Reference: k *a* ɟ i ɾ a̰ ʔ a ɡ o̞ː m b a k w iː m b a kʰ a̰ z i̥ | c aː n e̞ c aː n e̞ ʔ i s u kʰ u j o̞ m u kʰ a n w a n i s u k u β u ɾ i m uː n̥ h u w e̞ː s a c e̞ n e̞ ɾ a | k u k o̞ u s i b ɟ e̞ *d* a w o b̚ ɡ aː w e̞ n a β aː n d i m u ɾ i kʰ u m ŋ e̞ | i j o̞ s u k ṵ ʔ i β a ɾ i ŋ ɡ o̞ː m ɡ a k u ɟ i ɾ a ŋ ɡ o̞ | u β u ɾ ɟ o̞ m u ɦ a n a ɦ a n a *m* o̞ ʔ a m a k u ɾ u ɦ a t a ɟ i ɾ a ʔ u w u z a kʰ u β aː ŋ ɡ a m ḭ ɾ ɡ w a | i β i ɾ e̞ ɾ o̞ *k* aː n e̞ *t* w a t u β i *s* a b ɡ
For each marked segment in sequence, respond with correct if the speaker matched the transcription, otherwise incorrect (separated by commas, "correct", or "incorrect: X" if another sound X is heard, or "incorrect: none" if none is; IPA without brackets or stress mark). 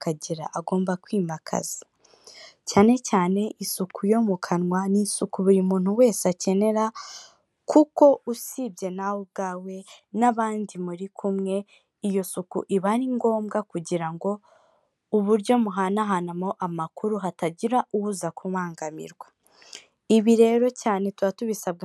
correct, incorrect: n, correct, incorrect: c, correct, correct